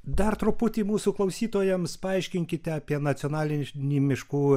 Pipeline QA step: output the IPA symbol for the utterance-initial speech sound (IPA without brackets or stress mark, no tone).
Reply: d̪